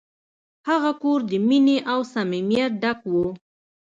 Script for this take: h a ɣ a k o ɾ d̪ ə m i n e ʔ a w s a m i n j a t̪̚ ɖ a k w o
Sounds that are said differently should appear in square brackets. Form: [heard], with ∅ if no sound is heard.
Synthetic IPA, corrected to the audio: h a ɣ a k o ɾ d̪ ə m i n e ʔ a w s a m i [m] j a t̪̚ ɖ a k w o